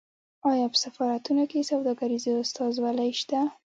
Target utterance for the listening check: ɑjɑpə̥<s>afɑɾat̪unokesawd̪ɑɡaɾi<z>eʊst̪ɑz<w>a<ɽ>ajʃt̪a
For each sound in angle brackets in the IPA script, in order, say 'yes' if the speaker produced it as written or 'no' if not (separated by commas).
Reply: yes, yes, yes, no